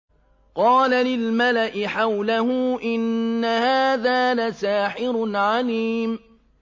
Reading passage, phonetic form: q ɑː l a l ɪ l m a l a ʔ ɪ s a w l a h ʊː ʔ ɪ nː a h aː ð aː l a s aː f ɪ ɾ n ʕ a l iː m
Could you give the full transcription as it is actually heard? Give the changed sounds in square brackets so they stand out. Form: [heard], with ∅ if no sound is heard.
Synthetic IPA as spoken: q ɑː l a l ɪ l m a l a ʔ ɪ [ħ] a w l a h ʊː ʔ ɪ nː a h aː ð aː l a s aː [ħ] ɪ ɾ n ʕ a l iː m